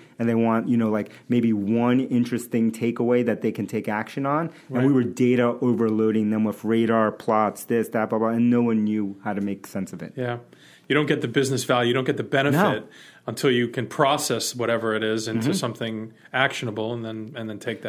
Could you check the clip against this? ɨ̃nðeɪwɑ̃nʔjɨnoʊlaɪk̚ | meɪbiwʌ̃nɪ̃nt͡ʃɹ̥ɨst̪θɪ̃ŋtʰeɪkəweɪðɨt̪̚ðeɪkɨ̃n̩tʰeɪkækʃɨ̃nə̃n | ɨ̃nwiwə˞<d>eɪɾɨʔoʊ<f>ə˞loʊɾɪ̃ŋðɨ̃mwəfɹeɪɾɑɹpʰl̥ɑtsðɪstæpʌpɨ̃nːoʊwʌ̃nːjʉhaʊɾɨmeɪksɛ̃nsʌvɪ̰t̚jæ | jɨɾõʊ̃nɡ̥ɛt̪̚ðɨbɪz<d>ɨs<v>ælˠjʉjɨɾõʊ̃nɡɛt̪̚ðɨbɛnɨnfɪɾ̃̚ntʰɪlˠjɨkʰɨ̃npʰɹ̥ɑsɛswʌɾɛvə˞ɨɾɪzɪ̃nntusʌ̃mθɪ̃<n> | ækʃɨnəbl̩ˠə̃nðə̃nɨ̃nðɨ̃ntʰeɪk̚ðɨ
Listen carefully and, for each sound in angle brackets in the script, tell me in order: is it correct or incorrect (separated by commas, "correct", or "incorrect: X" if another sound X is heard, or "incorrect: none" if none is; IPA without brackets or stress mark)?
correct, incorrect: v, incorrect: n, correct, incorrect: ŋ